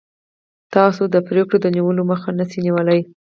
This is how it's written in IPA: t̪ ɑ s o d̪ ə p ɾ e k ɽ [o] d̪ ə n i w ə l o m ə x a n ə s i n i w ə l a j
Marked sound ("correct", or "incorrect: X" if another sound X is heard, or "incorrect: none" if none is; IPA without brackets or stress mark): correct